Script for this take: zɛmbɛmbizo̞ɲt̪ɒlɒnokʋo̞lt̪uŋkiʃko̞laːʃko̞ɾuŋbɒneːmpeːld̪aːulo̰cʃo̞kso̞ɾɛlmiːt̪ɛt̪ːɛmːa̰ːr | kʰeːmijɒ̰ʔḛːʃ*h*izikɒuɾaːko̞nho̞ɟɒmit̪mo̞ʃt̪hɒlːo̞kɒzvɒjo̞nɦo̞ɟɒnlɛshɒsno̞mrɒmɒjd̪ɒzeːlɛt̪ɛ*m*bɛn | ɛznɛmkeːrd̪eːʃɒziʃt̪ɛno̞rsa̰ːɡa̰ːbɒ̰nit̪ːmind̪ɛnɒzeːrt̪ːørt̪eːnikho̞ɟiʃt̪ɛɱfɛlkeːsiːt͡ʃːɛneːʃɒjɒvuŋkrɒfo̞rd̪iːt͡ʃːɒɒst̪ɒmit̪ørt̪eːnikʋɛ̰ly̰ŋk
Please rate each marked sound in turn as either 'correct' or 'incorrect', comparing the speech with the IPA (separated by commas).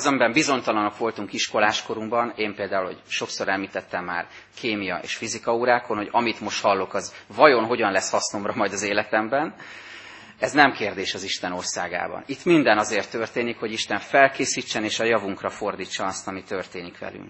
incorrect, correct